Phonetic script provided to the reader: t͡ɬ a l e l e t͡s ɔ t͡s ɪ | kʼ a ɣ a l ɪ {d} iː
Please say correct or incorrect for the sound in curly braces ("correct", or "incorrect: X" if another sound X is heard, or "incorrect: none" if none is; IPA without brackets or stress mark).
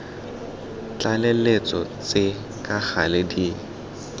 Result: correct